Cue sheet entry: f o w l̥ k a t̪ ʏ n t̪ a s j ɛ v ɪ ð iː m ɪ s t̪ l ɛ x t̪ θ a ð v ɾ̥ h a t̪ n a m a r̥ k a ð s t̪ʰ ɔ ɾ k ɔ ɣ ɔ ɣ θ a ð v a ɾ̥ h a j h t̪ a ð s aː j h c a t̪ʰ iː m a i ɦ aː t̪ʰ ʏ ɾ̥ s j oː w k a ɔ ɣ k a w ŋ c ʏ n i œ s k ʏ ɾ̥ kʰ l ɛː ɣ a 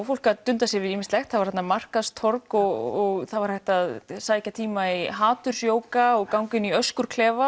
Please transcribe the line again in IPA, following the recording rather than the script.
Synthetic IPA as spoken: f o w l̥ k a t̪ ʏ n t̪ a s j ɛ v ɪ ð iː m ɪ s t̪ l ɛ x t̪ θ a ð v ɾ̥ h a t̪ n a m a r̥ k a ð s t̪ʰ ɔ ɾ k ɔ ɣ ɔ ɣ θ a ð v a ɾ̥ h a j h t̪ a ð s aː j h c a t̪ʰ iː m a i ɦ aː t̪ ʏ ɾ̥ s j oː w k a ɔ ɣ k a w ŋ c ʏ n i œ s k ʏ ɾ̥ kʰ l ɛː v a